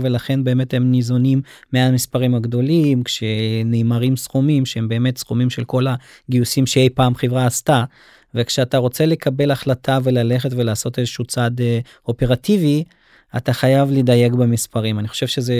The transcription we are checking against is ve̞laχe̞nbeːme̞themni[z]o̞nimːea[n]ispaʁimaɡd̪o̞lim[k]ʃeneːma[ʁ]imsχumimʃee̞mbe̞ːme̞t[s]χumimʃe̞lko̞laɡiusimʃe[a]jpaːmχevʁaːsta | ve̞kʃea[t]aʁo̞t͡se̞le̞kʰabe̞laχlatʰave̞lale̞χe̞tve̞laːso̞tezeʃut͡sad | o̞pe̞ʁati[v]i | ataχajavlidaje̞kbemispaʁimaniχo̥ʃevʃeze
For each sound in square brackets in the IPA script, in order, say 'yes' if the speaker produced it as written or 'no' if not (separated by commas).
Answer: yes, no, yes, yes, yes, no, yes, yes